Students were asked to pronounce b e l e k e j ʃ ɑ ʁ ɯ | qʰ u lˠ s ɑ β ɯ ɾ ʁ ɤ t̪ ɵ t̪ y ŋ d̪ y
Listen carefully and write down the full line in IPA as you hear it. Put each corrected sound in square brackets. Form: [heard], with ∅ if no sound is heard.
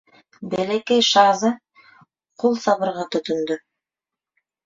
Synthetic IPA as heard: b e l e k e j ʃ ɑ [z] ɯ | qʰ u lˠ s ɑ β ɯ ɾ ʁ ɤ t̪ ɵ t̪ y [n] d̪ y